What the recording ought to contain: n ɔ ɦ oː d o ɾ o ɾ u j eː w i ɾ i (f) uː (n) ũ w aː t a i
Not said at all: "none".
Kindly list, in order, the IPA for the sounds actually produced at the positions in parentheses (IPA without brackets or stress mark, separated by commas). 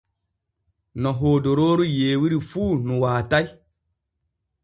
f, n